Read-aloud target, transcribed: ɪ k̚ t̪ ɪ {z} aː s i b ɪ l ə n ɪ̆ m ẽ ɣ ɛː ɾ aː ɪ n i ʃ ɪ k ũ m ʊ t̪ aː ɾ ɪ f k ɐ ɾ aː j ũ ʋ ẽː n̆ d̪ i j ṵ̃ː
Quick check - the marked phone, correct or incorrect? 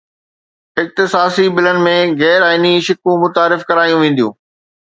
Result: incorrect